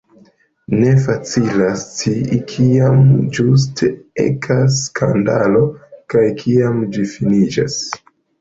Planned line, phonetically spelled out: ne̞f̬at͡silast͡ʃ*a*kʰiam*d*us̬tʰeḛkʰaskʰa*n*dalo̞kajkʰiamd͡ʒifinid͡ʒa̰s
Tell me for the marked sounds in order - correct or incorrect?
incorrect, incorrect, correct

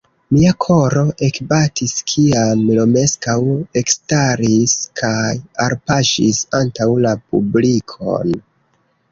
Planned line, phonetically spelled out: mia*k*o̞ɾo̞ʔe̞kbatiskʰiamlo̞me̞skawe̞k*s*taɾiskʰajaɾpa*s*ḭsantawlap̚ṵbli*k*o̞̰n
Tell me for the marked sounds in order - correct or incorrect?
incorrect, correct, incorrect, incorrect

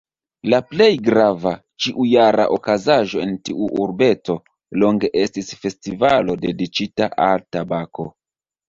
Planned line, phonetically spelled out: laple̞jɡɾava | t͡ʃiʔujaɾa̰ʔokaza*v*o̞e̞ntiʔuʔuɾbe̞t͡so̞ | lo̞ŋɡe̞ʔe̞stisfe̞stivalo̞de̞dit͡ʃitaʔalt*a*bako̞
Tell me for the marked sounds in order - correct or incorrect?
incorrect, correct

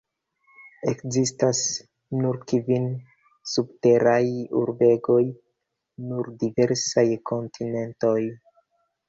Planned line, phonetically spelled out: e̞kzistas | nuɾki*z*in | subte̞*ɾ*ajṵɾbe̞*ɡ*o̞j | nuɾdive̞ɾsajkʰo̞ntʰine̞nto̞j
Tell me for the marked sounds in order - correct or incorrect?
incorrect, correct, correct

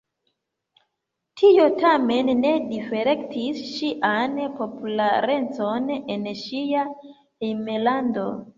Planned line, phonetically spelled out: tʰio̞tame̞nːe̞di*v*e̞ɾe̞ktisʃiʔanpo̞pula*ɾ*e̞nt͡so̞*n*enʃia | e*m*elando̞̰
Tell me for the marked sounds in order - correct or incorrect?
incorrect, correct, correct, correct

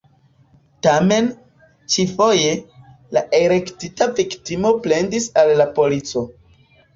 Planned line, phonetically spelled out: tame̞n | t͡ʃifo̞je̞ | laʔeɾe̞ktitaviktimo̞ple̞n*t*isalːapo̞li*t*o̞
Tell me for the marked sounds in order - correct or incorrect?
incorrect, incorrect

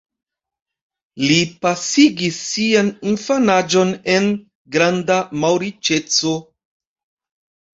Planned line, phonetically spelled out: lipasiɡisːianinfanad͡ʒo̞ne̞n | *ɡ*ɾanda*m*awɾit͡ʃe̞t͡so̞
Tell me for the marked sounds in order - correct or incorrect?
correct, correct

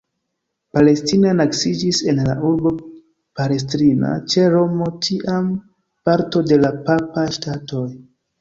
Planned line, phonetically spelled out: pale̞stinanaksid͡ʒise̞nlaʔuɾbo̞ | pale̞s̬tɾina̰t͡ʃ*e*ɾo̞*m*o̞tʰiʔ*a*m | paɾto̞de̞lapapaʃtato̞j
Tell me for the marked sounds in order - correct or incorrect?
correct, correct, correct

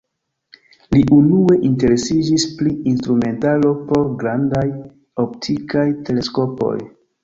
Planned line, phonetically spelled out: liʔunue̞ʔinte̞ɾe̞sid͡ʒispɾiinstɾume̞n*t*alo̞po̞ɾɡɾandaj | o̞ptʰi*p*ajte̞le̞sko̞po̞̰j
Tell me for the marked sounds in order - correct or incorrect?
correct, incorrect

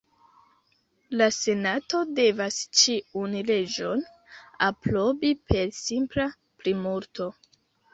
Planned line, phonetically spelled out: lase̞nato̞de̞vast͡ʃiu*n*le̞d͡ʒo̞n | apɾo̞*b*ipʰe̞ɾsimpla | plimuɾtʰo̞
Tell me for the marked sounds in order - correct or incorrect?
correct, correct

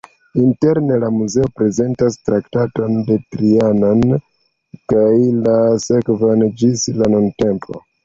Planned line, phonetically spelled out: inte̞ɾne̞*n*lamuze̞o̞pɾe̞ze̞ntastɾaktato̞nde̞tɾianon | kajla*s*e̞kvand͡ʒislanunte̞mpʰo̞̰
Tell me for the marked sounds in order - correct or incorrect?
incorrect, correct

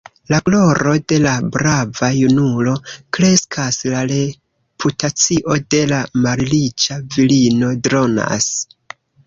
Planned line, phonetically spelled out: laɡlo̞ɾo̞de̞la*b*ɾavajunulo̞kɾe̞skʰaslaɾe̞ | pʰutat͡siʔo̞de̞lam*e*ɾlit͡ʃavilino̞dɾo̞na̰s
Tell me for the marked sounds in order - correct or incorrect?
correct, incorrect

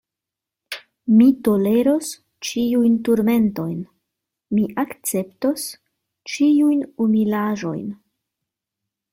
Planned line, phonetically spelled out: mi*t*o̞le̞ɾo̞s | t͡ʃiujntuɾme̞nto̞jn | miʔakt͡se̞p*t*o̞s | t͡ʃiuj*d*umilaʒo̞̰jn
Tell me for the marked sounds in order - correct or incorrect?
correct, correct, incorrect

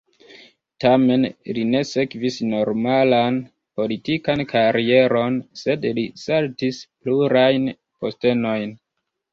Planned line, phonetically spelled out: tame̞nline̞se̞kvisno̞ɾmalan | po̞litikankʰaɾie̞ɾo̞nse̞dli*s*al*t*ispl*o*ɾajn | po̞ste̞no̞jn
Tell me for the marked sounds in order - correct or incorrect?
correct, correct, incorrect

